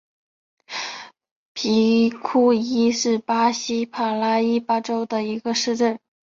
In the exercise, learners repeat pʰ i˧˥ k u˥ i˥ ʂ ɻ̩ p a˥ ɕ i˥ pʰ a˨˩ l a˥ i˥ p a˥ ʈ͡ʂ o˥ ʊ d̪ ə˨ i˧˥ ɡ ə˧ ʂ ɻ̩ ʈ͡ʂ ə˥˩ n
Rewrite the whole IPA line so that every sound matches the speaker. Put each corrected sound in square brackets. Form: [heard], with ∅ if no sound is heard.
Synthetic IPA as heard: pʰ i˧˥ [kʰ] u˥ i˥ ʂ ɻ̩ p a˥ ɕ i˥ pʰ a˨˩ l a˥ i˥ p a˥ ʈ͡ʂ o˥ ʊ d̪ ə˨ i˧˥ ɡ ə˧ ʂ ɻ̩ ʈ͡ʂ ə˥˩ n